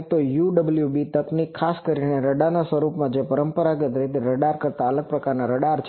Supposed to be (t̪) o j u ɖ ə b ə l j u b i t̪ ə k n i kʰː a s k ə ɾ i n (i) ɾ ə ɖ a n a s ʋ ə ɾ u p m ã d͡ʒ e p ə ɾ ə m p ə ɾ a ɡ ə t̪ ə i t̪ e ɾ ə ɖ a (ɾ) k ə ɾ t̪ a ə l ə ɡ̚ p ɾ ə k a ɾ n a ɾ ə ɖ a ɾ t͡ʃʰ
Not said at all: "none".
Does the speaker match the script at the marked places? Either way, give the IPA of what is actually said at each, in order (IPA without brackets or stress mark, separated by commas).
t̪, e, ɾ